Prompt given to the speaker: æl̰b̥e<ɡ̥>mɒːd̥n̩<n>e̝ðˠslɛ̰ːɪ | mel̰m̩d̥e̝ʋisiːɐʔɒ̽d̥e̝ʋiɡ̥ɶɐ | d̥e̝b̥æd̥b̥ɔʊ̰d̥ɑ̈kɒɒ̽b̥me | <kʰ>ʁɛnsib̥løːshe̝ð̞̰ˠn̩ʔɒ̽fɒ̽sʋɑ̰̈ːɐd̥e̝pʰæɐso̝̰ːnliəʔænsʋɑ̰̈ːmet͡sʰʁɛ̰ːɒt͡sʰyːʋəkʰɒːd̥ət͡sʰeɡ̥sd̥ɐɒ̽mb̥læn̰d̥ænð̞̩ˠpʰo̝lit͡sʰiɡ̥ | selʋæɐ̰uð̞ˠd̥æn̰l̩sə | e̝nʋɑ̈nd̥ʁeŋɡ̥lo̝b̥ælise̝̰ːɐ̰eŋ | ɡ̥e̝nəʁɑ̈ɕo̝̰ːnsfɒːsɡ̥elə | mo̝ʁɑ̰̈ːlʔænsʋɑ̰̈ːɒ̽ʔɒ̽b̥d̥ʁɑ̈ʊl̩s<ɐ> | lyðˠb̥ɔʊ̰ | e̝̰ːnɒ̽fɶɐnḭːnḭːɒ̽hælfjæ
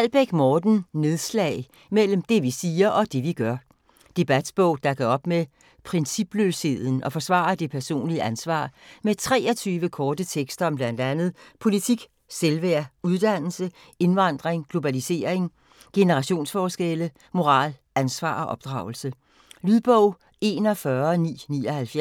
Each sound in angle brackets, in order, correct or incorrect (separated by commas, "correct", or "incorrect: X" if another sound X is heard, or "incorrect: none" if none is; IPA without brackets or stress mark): correct, correct, incorrect: pʰ, incorrect: ə